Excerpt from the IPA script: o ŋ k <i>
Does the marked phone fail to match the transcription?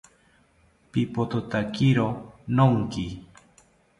no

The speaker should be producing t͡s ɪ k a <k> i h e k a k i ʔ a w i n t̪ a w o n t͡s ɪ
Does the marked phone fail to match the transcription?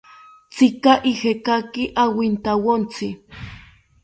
yes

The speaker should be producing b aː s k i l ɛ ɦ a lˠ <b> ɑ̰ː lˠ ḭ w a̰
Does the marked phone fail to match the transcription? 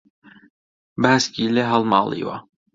yes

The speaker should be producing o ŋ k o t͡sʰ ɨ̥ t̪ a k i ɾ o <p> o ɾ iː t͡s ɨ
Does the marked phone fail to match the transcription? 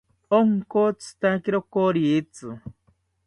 yes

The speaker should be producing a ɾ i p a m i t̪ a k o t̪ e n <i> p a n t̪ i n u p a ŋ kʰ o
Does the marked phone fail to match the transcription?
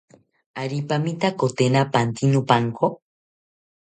yes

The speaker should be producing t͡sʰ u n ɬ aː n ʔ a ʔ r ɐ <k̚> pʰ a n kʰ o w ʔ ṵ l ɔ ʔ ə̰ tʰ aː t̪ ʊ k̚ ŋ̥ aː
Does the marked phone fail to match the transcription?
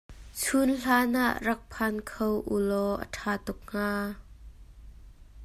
no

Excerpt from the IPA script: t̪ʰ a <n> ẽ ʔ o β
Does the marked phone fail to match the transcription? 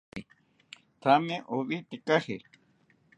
yes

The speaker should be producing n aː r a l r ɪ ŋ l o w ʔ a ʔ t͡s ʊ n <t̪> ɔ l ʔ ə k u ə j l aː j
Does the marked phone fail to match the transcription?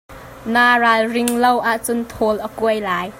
yes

